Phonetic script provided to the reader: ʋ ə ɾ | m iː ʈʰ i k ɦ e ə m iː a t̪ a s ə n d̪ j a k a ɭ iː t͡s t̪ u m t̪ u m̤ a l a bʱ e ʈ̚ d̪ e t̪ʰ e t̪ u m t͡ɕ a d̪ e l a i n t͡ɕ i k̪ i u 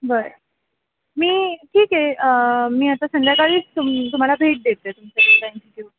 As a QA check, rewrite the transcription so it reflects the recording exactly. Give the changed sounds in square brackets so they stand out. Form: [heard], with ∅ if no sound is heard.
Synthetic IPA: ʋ ə ɾ | m iː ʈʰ [iː] k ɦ e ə m iː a t̪ a s ə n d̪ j a k a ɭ iː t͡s t̪ u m t̪ u m̤ a l a bʱ e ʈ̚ d̪ e [t̪] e t̪ u m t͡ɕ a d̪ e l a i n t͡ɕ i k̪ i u